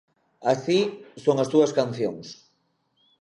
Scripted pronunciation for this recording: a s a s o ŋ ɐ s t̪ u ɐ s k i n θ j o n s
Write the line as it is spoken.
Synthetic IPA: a s i s o ŋ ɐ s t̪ u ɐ s k a n θ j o ŋ s

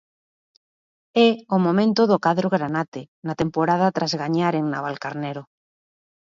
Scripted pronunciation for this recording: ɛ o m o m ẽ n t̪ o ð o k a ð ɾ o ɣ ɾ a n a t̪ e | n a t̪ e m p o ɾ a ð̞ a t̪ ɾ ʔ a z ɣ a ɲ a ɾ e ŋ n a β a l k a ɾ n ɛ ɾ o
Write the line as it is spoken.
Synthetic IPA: ɛ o m o m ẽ n t̪ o ð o k a ð ɾ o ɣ ɾ a n a t̪ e | n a t̪ e m p o ɾ a ð̞ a t̪ ɾ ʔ a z ɣ a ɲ a ɾ e ŋ n a β a l k a ɾ n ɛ ɾ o

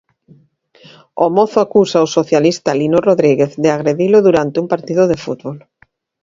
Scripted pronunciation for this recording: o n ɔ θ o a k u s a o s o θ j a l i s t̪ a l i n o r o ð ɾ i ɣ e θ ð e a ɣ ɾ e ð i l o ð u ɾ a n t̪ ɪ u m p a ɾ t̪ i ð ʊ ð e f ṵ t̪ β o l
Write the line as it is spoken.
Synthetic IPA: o m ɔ θ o a k u s a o s o θ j a l i s t̪ a l i n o r o ð ɾ i ɣ e θ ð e a ɣ ɾ e ð i l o ð u ɾ a n t̪ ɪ u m p a ɾ t̪ i ð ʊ ð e f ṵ t̪ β o l

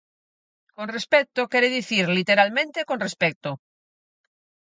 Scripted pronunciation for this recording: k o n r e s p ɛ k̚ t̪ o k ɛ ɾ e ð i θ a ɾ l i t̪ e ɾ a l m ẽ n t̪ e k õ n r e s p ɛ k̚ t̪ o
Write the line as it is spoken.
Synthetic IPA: k o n r e s p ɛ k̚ t̪ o k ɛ ɾ e ð i θ i ɾ l i t̪ e ɾ a l m ẽ n t̪ e k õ n r e s p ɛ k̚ t̪ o

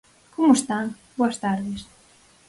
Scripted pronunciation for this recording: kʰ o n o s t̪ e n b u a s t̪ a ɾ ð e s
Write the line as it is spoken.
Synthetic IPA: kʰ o m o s t̪ a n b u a s t̪ a ɾ ð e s

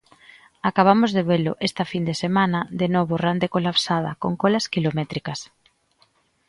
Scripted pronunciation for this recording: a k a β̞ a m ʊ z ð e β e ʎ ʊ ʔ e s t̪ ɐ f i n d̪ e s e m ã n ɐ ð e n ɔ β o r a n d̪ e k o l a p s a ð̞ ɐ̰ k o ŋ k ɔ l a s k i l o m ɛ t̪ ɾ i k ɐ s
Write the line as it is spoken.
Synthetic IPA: a k a β̞ a m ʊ z ð e β e l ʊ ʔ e s t̪ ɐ f i n d̪ e s e m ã n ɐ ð e n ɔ β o r a n d̪ e k o l a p s a ð̞ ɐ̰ k o ŋ k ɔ l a s k i l o m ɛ t̪ ɾ i k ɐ s

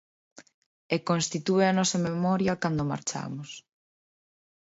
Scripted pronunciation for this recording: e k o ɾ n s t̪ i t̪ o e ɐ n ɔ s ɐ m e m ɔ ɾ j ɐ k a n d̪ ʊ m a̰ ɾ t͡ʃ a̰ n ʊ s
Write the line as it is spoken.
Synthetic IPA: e k o n s t̪ i t̪ u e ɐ n ɔ s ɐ m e m ɔ ɾ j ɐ k a n d̪ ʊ m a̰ ɾ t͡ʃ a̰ m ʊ s

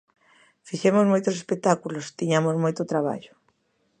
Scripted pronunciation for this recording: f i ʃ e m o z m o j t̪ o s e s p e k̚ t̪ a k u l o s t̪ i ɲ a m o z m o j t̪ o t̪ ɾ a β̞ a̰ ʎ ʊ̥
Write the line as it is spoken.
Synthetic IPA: f i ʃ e m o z m o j t̪ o s e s p e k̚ t̪ a k u l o s t̪ i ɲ a m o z m o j t̪ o t̪ ɾ a β̞ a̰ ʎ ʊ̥

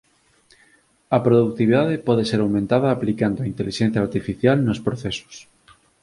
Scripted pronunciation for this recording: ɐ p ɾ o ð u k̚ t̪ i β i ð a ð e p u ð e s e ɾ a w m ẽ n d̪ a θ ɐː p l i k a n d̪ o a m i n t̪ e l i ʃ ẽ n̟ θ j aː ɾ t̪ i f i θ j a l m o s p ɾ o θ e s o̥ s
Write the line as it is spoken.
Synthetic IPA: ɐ p ɾ o ð u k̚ t̪ i β i ð a ð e p ɔ ð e s e ɾ a w m ẽ n t̪ a ð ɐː p l i k a n d̪ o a i n t̪ e l i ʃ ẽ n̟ θ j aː ɾ t̪ i f i θ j a l n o s p ɾ o θ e s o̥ s

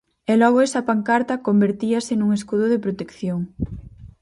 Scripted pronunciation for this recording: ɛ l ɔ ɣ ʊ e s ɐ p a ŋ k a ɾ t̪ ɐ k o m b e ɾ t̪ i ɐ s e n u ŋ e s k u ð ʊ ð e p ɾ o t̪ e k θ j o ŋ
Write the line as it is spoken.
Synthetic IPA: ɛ l ɔ ɣ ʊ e s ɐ p a ŋ k a ɾ t̪ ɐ k o m b e ɾ t̪ i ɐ s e n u ŋ e s k u ð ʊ ð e p ɾ o t̪ e k θ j o ŋ

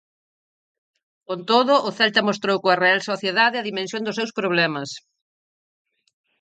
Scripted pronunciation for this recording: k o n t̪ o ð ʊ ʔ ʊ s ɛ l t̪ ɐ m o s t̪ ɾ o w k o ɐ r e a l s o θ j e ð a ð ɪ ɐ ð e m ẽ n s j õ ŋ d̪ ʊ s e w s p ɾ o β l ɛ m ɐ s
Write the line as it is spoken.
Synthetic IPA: k o n t̪ o ð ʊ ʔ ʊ θ ɛ l t̪ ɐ m o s t̪ ɾ o w k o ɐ r e a l s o θ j e ð a ð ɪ ɐ ð i m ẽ n s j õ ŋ d̪ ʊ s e w s p ɾ o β l ɛ m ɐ s

